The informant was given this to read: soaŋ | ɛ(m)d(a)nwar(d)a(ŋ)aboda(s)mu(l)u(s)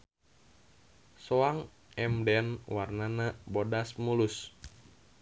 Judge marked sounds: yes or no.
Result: yes, no, no, no, yes, yes, yes

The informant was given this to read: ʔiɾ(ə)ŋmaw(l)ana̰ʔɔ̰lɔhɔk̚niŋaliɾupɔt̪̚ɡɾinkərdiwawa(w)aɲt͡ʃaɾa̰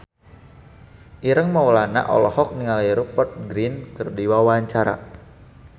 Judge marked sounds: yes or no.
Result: yes, yes, no

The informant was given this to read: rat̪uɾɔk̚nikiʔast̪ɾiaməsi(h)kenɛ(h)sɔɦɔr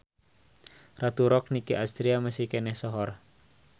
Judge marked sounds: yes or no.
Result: yes, yes

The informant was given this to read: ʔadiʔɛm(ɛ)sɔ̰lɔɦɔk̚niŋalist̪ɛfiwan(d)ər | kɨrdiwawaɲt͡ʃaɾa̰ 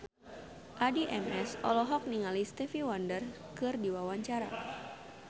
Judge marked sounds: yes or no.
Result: yes, yes

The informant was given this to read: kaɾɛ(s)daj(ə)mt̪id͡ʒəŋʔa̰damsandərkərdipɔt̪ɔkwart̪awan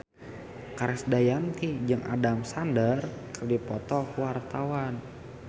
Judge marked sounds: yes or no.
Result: yes, no

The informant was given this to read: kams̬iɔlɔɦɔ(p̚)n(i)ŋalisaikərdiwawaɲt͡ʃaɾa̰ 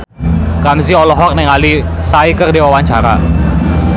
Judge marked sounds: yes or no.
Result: no, no

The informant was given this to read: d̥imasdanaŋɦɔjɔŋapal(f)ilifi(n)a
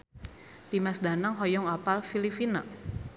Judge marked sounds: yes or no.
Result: yes, yes

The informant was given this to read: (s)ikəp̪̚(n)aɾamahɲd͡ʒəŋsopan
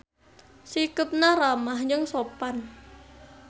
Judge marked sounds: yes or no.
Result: yes, yes

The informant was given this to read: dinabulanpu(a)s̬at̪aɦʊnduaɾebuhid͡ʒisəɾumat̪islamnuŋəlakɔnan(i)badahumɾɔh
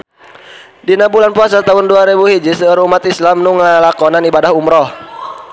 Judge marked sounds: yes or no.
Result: yes, yes

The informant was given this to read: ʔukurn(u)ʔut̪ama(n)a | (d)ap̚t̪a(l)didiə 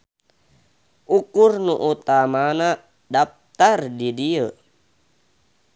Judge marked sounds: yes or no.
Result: yes, yes, yes, no

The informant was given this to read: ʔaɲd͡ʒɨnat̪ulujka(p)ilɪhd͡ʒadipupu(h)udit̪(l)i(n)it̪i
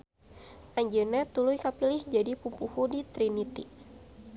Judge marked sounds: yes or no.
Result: yes, yes, no, yes

